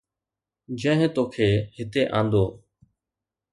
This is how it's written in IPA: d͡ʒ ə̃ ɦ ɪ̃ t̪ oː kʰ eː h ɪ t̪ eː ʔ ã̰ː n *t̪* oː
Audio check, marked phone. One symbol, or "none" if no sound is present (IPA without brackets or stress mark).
d̪